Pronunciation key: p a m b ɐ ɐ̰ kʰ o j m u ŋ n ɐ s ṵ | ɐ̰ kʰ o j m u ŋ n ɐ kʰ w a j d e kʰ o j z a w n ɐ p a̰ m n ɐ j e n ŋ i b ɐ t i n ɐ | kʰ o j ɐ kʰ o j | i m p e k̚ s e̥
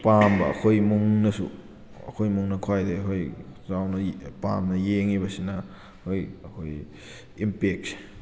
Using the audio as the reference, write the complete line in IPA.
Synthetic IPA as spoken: p a m b ɐ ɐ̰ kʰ o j m u ŋ n ɐ s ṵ | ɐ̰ kʰ o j m u ŋ n ɐ kʰ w a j d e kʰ o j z a w n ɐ p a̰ m n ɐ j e ŋ i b ɐ s i n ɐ | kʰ o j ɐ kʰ o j | i m p e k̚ s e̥